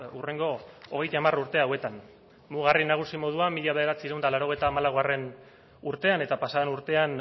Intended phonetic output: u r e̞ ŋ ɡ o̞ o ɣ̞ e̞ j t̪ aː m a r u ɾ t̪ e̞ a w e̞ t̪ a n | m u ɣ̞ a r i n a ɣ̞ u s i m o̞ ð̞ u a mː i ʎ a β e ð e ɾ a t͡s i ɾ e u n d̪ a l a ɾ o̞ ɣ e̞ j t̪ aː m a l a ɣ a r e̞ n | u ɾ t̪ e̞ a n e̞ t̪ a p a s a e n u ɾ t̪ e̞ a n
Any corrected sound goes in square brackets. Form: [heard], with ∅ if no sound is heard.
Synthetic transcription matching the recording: u r e̞ ŋ ɡ o̞ o ɣ̞ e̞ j t̪ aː m a r u ɾ t̪ e̞ a w e̞ t̪ a n | m u ɣ̞ a r i n a ɣ̞ u s i m o̞ ð̞ u a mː i ʎ a β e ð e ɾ a t͡s i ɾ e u n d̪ a l a ɾ o̞ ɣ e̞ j t̪ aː m a l a ɣ a r e̞ n | u ɾ t̪ e̞ a n e̞ t̪ a p a s a e n u ɾ t̪ e̞ a n

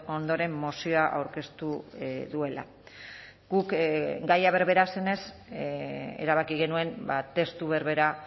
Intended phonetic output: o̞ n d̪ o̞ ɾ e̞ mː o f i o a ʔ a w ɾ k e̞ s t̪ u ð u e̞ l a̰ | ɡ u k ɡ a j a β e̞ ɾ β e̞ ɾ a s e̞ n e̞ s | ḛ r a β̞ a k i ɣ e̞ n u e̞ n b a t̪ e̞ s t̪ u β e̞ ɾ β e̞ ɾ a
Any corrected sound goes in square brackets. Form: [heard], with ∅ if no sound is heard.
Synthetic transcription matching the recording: o̞ n d̪ o̞ ɾ e̞ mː o [s] i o a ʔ a w ɾ k e̞ s t̪ u ð u e̞ l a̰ | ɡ u k ɡ a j a β e̞ ɾ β e̞ ɾ a s e̞ n e̞ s | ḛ [ɾ] a β̞ a k i ɣ e̞ n u e̞ n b a t̪ e̞ s t̪ u β e̞ ɾ β e̞ ɾ a

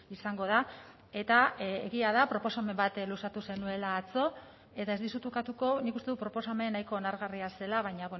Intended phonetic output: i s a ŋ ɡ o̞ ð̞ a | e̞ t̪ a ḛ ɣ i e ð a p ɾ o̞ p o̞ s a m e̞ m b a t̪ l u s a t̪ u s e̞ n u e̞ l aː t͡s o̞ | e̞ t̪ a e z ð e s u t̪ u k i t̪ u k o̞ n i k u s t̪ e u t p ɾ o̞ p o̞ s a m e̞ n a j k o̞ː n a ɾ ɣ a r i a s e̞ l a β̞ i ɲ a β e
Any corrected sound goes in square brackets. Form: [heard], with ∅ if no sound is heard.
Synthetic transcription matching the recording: i s a ŋ ɡ o̞ ð̞ a | e̞ t̪ a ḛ ɣ i [a] ð a p ɾ o̞ p o̞ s a m e̞ m b a t̪ l u s a t̪ u s e̞ n u e̞ l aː t͡s o̞ | e̞ t̪ a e z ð [i] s u t̪ u k [a] t̪ u k o̞ n i k u s t̪ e u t p ɾ o̞ p o̞ s a m e̞ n a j k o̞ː n a ɾ ɣ a r i a s e̞ l a β̞ [a] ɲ a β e

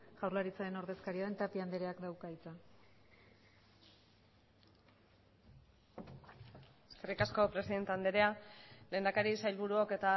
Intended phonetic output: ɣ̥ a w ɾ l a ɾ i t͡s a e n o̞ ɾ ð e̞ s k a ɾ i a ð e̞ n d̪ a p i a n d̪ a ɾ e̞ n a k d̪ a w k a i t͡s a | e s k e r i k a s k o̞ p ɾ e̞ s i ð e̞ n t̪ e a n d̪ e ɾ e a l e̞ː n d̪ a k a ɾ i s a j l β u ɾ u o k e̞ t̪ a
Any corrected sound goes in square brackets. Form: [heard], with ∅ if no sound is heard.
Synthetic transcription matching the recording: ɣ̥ a w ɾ l a ɾ i t͡s a e n o̞ ɾ ð e̞ s k a ɾ i a ð e̞ n [t̪] a p i a n d̪ [e] ɾ e̞ [∅] a k d̪ a w k a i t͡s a | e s k e r i k a s k o̞ p ɾ e̞ s i ð e̞ n t̪ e a n d̪ e ɾ e a l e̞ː n d̪ a k a ɾ i s a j l β u ɾ u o k e̞ t̪ a

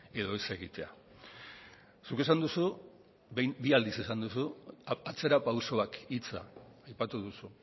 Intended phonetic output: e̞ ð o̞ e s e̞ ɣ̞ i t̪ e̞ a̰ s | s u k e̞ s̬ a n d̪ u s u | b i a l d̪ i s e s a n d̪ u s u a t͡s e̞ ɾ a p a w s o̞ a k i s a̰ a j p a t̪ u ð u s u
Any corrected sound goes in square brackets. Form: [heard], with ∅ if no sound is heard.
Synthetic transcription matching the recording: e̞ ð o̞ e s e̞ ɣ̞ i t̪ e̞ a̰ [∅] | s u k e̞ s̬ a n d̪ u s u | b i a l d̪ i s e s a n d̪ u s u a t͡s e̞ ɾ a p a w s o̞ a k i [t͡s] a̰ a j p a t̪ u ð u s u

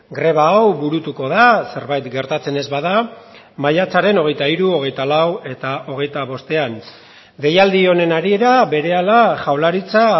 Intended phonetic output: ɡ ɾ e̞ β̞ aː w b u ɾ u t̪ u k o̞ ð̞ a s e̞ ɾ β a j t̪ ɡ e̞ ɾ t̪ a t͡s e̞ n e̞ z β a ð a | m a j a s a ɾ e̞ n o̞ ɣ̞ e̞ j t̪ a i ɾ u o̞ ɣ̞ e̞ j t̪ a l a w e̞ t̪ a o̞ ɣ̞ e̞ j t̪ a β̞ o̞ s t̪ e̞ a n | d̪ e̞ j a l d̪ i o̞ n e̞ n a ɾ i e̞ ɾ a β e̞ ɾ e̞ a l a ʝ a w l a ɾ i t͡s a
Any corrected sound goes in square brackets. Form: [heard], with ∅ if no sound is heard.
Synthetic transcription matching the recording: ɡ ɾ e̞ β̞ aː w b u ɾ u t̪ u k o̞ ð̞ a s e̞ ɾ β a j t̪ ɡ e̞ ɾ t̪ a t͡s e̞ n e̞ z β a ð a | m a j a [t͡s] a ɾ e̞ n o̞ ɣ̞ e̞ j t̪ a i ɾ u o̞ ɣ̞ e̞ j t̪ a l a w e̞ t̪ a o̞ ɣ̞ e̞ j t̪ a β̞ o̞ s t̪ e̞ a n | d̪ e̞ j a l d̪ i o̞ n e̞ n a ɾ i e̞ ɾ a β e̞ ɾ e̞ a l a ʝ a w l a ɾ i t͡s a

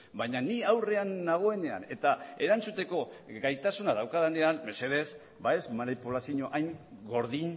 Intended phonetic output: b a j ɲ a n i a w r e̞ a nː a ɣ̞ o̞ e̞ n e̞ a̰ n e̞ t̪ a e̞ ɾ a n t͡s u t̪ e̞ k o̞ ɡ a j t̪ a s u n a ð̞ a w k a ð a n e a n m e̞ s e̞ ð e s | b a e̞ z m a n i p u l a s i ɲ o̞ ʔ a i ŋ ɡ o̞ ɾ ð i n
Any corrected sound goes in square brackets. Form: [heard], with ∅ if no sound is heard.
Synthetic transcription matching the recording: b a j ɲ a n i a w r e̞ a nː a ɣ̞ o̞ e̞ n e̞ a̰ n e̞ t̪ a e̞ ɾ a n t͡s u t̪ e̞ k o̞ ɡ a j t̪ a s u n a ð̞ a w k a ð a n e a n m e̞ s e̞ ð e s | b a e̞ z m a n i p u l a s i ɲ o̞ ʔ a [j] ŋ ɡ o̞ ɾ ð i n

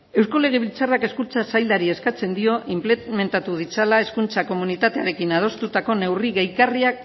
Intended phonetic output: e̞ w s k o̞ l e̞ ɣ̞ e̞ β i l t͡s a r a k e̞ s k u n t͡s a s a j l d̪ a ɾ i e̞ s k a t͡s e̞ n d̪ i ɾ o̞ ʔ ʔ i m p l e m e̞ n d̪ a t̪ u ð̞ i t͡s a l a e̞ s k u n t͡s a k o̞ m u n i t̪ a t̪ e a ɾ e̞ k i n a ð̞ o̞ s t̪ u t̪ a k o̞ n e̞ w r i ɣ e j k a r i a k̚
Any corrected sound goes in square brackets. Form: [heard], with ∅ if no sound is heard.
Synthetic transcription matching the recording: e̞ w s k o̞ l e̞ ɣ̞ e̞ β i l t͡s a r a k e̞ s k u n t͡s a s a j l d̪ a ɾ i e̞ s k a t͡s e̞ n d̪ i [∅] o̞ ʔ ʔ i m p l e m e̞ n [t̪] a t̪ u ð̞ i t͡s a l a e̞ s k u n t͡s a k o̞ m u n i t̪ a t̪ e a ɾ e̞ k i n a ð̞ o̞ s t̪ u t̪ a k o̞ n e̞ w r i ɣ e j k a r i a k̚

